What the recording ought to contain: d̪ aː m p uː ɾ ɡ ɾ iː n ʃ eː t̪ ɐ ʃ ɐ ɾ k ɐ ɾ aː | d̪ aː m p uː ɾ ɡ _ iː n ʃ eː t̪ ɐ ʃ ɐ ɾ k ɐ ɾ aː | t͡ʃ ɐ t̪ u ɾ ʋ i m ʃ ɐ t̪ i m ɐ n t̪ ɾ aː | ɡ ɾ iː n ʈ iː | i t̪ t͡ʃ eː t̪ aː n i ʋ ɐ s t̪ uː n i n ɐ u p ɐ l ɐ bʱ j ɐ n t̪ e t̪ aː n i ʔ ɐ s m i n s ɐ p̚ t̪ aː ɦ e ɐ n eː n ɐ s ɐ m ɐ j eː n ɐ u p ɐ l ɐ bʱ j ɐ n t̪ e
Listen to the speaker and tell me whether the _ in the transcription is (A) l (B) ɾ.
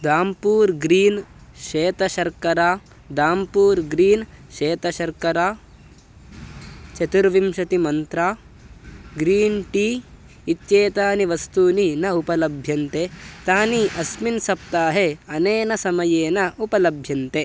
B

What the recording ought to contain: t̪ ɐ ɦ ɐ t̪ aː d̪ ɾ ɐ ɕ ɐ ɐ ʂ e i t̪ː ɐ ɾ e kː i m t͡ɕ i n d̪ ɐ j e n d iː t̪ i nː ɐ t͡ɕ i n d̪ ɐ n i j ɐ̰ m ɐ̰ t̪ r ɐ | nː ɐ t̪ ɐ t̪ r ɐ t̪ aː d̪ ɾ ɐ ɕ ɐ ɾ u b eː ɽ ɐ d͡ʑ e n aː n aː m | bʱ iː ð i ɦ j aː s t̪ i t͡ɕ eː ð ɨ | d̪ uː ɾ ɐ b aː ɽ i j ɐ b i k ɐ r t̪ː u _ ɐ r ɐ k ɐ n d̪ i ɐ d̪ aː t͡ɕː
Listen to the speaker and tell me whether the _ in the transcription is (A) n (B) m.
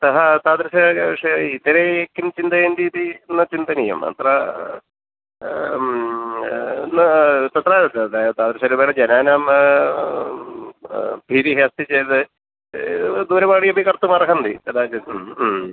B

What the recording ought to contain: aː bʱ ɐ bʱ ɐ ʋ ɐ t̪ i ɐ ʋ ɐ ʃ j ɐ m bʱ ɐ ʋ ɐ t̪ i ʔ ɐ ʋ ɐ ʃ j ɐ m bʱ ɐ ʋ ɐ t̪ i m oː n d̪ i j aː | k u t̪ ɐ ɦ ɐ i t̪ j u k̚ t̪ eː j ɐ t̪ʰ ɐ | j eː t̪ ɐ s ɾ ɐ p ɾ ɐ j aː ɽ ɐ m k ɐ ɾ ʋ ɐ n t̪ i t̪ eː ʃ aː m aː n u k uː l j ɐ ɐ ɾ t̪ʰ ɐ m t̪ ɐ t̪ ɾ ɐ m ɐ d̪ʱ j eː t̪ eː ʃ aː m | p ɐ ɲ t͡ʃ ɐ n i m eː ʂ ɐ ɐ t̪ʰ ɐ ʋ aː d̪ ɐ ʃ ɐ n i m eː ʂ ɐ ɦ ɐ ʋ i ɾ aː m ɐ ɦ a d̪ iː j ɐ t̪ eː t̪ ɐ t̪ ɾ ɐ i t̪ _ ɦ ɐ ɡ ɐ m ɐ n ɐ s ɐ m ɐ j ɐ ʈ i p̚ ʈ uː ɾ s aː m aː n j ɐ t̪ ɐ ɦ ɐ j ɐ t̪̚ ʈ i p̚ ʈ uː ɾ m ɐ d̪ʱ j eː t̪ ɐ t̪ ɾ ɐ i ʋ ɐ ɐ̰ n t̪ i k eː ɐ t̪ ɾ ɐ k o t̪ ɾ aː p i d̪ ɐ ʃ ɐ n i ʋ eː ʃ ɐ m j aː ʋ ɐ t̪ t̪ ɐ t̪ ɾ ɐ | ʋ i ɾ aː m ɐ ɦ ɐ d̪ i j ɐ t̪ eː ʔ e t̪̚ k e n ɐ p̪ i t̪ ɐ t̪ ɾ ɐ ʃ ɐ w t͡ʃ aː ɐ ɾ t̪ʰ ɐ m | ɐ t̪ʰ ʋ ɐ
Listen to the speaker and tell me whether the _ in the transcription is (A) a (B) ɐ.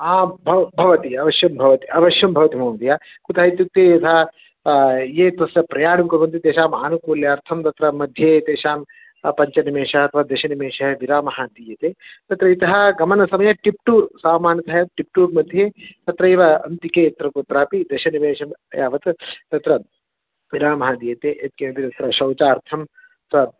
B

